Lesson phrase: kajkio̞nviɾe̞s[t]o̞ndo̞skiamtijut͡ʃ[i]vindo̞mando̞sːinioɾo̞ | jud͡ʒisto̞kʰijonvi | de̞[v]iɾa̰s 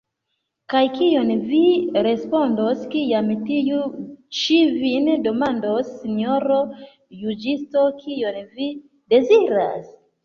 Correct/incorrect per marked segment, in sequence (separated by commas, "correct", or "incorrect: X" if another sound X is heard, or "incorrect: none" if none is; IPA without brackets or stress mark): incorrect: p, correct, incorrect: z